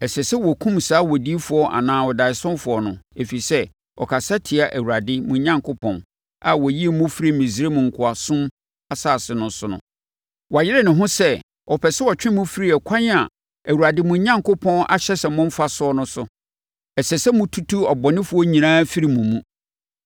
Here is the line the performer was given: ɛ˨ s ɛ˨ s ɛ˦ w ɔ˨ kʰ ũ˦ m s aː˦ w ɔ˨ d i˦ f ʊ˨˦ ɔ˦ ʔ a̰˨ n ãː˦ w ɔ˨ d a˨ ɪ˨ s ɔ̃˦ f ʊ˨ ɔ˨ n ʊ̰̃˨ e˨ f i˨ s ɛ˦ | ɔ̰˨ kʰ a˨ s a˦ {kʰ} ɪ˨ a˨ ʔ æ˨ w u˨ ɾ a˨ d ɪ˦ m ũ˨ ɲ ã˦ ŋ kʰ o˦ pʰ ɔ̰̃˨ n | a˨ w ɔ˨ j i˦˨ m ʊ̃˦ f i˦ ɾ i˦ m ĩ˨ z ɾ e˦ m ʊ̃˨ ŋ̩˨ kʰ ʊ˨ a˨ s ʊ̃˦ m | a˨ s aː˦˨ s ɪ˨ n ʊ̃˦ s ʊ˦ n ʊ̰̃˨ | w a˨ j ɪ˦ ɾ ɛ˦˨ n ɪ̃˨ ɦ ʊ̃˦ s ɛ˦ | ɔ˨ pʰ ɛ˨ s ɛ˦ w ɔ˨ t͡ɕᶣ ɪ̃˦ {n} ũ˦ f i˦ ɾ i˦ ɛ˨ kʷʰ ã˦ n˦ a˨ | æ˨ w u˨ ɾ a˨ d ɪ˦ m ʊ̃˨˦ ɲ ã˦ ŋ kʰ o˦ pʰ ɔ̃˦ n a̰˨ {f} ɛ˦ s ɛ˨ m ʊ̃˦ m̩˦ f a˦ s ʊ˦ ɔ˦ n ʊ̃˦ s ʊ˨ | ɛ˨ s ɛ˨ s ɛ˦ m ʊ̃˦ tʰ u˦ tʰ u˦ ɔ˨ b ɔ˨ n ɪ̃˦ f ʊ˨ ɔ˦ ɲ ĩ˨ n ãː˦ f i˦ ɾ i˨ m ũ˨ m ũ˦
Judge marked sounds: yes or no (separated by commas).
no, no, no